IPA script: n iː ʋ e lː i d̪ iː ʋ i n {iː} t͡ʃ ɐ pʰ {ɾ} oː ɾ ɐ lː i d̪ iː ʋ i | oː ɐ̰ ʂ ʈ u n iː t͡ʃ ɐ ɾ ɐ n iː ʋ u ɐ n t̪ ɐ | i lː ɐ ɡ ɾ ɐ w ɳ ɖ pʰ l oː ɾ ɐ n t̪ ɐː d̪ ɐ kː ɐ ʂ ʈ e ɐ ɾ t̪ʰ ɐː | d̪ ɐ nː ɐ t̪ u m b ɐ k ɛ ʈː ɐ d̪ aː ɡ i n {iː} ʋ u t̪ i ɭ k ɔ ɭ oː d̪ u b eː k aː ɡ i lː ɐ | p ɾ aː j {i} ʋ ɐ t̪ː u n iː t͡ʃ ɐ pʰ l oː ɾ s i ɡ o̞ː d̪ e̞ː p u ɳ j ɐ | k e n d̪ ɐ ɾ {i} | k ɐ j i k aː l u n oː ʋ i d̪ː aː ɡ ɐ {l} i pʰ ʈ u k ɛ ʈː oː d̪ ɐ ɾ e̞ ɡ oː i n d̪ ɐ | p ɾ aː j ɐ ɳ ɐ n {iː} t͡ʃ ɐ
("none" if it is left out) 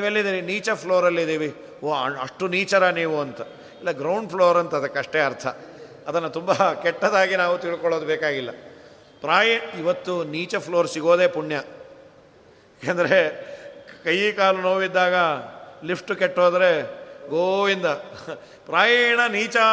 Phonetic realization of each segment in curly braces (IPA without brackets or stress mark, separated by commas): iː, l, aː, i, e, l, iː